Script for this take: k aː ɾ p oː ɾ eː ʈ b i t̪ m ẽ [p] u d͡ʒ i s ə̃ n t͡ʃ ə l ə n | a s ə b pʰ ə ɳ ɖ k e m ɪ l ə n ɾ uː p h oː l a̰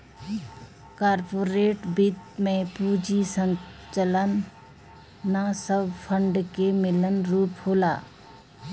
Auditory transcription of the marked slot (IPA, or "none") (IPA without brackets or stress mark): p